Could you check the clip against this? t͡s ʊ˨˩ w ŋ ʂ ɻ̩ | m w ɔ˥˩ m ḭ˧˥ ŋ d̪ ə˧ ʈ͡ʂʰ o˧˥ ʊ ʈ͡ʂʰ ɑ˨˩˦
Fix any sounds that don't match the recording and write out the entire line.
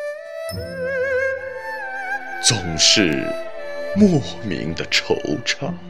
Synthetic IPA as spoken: t͡s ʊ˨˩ ŋ ʂ ɻ̩ | m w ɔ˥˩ m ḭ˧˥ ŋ d̪ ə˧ ʈ͡ʂʰ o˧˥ ʊ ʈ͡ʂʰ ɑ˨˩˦